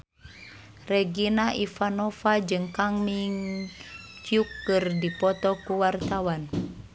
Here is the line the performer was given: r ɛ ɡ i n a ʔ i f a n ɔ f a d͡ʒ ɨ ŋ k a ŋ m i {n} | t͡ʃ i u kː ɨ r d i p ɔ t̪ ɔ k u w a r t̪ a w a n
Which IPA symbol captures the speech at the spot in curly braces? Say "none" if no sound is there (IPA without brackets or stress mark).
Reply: ŋ